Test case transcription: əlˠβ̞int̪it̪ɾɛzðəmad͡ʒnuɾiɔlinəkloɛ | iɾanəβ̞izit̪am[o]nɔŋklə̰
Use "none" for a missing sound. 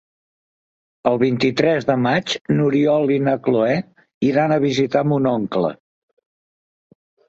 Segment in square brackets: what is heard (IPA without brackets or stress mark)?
u